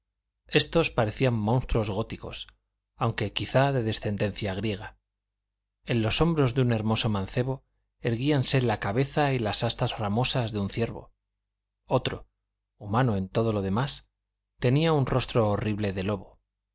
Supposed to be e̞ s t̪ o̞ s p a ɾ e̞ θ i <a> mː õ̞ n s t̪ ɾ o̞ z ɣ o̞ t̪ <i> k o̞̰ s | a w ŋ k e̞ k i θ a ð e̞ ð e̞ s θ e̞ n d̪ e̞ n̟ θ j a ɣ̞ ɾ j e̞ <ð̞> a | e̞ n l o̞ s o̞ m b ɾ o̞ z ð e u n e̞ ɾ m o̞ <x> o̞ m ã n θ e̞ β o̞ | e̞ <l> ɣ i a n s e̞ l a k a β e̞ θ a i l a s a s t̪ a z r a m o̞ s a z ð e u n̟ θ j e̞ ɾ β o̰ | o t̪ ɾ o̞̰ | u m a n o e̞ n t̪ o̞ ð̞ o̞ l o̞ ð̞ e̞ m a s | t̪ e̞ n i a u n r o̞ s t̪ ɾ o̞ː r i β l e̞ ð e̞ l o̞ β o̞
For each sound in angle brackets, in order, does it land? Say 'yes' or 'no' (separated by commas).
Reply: yes, yes, no, no, no